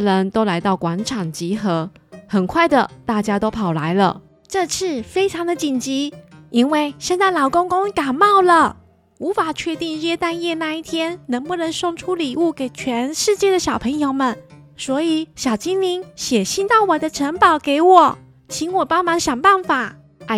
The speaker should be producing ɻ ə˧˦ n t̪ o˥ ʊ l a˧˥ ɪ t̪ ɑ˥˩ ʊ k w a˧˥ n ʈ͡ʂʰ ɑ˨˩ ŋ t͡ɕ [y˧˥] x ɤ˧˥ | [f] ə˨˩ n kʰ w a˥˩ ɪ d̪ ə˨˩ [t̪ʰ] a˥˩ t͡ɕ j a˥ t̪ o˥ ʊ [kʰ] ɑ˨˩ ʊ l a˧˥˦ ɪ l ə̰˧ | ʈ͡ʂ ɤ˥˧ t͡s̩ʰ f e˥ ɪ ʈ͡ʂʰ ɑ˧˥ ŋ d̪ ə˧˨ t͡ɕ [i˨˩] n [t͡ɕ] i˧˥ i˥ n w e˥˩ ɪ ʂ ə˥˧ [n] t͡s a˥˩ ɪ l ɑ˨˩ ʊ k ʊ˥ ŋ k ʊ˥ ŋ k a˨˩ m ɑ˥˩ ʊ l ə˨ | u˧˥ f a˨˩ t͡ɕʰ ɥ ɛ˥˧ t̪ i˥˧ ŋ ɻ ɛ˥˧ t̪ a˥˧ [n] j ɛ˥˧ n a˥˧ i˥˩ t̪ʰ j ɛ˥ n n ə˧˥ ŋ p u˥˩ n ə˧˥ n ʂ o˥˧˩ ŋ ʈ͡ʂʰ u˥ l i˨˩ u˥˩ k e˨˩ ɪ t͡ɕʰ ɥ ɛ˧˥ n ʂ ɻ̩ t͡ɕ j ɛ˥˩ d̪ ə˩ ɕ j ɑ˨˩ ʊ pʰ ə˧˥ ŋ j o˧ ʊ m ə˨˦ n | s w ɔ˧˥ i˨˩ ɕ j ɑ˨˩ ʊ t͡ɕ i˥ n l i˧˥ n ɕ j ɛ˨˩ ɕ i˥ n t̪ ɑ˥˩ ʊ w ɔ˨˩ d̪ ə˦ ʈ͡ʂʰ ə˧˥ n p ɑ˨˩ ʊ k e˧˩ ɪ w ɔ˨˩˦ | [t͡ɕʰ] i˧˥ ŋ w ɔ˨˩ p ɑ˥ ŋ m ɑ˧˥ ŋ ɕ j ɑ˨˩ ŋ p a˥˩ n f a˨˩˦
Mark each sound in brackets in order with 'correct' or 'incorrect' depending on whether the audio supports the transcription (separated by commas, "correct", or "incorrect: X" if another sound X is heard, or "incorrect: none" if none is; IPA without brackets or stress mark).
incorrect: i˧˥, incorrect: x, incorrect: t̪, incorrect: pʰ, correct, correct, correct, correct, correct